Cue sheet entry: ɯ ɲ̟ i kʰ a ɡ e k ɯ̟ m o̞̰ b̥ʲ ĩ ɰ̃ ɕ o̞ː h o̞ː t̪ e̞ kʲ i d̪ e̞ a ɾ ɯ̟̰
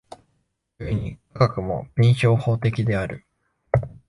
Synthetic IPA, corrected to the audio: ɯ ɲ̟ i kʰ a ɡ a k ɯ̟ m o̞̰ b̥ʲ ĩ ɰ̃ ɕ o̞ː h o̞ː t̪ e̞ kʲ i d̪ e̞ a ɾ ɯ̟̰